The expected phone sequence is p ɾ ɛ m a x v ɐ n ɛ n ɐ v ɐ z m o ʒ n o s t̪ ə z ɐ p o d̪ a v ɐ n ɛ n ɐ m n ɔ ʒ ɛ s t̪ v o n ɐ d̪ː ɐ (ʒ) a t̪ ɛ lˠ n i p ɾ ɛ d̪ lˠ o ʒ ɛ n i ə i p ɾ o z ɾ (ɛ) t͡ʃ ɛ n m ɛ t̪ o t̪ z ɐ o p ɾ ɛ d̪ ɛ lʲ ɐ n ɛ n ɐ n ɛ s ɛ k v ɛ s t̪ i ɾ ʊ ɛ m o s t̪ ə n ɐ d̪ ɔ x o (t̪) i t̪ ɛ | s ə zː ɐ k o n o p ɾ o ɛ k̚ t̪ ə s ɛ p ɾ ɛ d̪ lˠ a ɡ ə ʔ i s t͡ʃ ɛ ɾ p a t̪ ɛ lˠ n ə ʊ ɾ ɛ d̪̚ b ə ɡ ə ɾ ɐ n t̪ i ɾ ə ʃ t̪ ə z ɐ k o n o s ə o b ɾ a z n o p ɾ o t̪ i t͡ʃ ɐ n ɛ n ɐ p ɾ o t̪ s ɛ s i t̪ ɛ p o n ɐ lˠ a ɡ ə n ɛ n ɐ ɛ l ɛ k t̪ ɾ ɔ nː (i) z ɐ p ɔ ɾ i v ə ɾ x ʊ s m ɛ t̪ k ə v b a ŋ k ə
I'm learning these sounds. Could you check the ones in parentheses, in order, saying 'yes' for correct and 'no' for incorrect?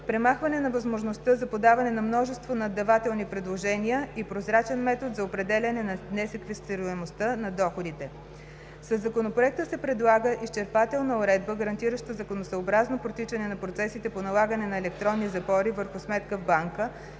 no, no, no, yes

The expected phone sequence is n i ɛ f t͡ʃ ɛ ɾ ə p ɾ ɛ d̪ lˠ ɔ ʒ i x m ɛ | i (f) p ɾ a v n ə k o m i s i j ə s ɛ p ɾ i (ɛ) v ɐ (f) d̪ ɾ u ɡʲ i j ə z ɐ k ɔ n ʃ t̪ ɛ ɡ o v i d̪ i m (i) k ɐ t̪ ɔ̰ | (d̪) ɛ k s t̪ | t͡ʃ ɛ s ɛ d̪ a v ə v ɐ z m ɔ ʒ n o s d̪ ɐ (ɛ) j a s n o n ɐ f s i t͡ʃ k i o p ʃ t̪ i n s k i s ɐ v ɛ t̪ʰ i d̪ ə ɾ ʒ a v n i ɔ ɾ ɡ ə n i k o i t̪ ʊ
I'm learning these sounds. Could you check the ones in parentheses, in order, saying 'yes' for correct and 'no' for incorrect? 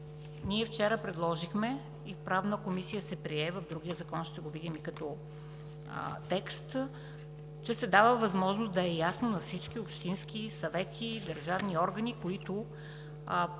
yes, yes, no, yes, no, yes

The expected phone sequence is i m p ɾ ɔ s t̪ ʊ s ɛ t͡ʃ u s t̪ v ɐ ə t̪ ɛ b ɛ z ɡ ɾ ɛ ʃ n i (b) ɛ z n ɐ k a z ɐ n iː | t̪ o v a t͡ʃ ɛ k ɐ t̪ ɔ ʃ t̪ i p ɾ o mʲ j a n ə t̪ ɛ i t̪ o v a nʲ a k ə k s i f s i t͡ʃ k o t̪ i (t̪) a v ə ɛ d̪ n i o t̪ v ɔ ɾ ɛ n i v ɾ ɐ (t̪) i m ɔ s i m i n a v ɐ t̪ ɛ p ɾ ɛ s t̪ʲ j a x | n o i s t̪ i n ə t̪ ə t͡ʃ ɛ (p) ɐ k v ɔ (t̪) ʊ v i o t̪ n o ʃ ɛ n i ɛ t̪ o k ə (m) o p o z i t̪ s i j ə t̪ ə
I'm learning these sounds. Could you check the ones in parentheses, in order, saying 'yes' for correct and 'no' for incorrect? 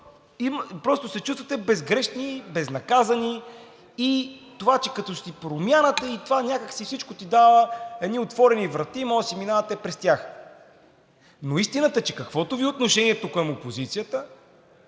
yes, no, yes, no, yes, yes

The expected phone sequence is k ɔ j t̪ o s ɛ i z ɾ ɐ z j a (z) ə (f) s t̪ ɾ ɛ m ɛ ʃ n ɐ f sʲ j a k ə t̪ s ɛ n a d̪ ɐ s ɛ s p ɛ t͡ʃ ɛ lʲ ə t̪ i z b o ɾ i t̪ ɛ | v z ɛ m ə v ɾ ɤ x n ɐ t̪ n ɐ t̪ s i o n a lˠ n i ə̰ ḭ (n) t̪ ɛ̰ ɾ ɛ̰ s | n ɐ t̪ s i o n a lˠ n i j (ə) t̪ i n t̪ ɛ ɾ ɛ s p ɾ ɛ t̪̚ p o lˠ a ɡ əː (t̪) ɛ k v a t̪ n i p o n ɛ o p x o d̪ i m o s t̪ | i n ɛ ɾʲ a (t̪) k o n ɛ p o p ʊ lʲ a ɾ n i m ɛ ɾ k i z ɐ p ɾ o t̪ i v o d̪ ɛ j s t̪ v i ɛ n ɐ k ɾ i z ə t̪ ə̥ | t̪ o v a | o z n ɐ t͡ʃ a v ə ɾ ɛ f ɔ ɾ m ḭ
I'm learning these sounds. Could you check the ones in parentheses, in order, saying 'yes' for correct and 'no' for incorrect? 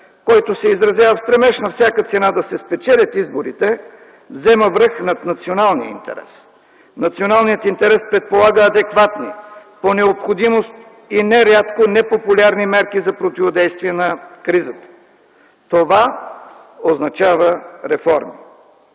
no, yes, yes, yes, no, yes

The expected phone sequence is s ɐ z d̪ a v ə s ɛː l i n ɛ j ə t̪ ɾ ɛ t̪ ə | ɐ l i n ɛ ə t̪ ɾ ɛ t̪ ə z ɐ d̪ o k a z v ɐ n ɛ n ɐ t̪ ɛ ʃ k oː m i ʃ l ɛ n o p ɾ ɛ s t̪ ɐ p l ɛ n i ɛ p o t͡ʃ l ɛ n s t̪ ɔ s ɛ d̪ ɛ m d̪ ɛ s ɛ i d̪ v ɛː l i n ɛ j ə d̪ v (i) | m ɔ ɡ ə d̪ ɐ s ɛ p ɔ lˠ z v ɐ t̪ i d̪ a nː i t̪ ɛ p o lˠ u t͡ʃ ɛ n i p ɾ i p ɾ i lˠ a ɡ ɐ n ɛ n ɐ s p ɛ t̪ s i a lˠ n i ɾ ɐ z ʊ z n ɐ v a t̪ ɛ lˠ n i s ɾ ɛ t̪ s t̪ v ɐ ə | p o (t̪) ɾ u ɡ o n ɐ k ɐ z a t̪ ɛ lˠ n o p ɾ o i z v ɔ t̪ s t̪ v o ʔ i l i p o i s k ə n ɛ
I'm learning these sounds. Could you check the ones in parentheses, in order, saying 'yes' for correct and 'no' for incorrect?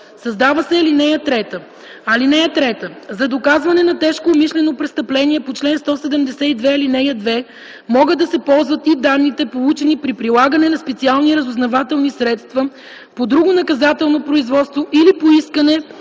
no, no

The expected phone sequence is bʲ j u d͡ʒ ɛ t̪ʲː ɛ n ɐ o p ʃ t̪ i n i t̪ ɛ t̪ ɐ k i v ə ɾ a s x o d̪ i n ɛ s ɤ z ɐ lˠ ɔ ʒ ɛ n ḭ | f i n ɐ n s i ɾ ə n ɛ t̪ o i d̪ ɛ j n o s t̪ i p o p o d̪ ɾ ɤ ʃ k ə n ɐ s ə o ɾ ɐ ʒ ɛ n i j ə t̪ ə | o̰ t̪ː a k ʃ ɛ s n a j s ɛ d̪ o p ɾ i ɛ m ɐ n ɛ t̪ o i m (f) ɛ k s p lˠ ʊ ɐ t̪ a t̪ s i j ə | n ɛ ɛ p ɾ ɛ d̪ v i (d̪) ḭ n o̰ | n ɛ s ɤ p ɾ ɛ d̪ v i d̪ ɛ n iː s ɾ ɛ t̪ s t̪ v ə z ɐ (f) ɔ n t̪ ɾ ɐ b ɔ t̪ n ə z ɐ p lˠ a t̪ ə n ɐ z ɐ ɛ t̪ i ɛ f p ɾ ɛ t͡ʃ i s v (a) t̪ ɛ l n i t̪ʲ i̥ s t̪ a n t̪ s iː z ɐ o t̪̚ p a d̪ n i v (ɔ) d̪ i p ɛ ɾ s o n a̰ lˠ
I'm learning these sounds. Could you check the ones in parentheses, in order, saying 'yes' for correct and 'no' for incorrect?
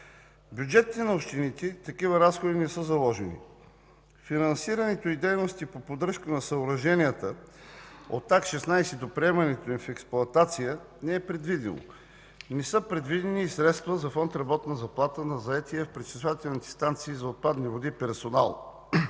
yes, yes, yes, yes, no

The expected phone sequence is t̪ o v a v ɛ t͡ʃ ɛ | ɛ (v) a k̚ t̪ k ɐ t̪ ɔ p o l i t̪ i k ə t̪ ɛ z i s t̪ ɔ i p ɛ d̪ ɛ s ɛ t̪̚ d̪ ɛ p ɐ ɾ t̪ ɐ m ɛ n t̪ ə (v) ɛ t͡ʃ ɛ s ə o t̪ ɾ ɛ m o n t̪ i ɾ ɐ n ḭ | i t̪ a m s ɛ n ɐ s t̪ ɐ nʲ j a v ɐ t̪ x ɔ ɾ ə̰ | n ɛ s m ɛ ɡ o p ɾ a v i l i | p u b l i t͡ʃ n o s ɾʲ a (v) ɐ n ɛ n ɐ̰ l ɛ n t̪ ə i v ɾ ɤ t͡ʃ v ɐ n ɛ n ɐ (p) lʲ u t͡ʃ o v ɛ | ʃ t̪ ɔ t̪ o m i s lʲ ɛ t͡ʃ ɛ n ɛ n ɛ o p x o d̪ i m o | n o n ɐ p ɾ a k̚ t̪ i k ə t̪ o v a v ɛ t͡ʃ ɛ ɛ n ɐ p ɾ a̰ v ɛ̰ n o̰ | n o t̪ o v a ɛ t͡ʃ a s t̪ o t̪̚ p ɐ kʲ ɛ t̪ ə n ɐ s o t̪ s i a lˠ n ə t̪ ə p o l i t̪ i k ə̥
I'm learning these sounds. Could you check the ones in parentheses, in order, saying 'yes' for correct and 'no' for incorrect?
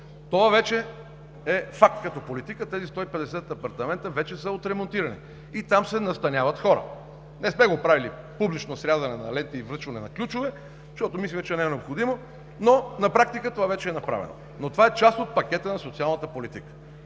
no, yes, no, no

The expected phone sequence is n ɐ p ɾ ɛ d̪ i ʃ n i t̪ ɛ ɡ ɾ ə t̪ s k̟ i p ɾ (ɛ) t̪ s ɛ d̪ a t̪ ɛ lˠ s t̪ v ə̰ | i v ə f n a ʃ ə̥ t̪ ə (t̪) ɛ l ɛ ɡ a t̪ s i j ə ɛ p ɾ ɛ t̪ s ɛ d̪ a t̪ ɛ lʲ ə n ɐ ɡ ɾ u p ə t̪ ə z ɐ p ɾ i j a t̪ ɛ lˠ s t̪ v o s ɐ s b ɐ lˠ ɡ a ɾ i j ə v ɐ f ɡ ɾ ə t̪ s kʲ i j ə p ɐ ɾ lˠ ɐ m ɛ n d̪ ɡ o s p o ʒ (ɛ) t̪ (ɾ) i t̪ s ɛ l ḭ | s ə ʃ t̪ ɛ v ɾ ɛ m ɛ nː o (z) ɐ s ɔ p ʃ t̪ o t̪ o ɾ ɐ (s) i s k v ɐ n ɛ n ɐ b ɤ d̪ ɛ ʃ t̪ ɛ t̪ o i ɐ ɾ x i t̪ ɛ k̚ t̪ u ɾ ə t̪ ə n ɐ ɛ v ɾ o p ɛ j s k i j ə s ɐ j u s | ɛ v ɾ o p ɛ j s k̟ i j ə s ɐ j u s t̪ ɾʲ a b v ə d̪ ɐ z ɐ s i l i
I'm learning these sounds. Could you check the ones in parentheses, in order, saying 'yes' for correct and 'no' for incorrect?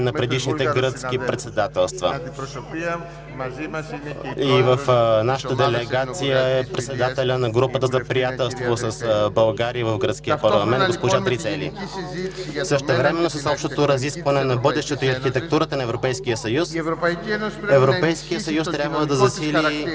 yes, no, no, yes, no, no

